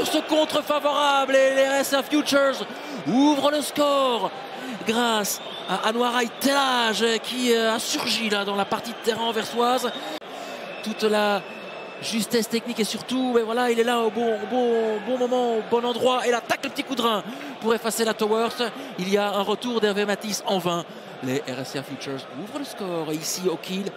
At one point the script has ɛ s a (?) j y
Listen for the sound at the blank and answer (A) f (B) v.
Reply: A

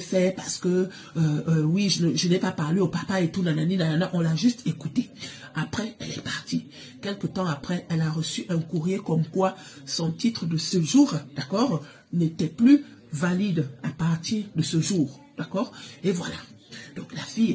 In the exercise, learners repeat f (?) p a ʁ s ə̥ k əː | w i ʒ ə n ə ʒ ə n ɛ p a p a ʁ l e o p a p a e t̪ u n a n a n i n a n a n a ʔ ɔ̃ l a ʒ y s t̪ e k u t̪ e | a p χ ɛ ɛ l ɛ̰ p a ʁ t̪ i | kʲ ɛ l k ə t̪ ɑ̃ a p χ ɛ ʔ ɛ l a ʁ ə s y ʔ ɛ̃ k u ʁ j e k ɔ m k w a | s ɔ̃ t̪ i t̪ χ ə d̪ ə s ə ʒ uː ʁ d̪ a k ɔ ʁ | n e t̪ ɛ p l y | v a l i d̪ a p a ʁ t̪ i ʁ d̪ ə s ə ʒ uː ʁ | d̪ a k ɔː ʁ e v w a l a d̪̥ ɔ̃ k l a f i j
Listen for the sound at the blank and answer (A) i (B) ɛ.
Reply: B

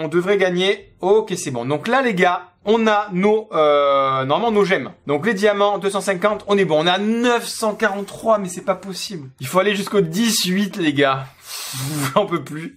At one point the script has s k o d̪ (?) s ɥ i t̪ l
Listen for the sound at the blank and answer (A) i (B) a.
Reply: A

